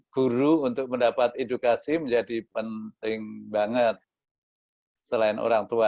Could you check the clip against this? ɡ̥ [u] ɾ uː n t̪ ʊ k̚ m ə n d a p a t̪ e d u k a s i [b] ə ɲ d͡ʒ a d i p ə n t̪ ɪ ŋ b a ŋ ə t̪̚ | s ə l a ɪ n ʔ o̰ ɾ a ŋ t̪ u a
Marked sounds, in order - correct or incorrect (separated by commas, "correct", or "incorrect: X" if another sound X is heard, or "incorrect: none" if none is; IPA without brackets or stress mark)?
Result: correct, incorrect: m